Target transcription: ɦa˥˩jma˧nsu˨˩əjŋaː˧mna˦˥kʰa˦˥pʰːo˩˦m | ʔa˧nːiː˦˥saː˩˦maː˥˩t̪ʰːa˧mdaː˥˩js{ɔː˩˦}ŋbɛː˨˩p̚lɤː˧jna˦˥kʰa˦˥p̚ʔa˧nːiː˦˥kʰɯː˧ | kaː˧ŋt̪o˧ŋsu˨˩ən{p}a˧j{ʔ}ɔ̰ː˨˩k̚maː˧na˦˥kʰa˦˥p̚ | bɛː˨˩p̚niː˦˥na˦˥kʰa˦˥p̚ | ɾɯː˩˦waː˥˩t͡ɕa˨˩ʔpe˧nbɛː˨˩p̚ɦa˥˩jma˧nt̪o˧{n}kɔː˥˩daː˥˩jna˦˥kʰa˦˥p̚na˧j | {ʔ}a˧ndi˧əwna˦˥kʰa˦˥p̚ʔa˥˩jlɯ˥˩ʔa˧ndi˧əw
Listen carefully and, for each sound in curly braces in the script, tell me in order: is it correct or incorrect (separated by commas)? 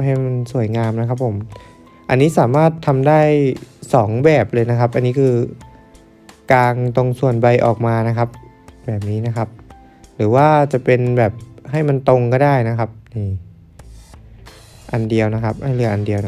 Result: correct, incorrect, correct, incorrect, correct